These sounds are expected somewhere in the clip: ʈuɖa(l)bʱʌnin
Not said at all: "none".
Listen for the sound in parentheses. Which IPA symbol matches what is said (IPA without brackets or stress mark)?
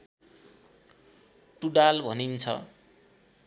l